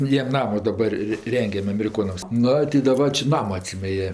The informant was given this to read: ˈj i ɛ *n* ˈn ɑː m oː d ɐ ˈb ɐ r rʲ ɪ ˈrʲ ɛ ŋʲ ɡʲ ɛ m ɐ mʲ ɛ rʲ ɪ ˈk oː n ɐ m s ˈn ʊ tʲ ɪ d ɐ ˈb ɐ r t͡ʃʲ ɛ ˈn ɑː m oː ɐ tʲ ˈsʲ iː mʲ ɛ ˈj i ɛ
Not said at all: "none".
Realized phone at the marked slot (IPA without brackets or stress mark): m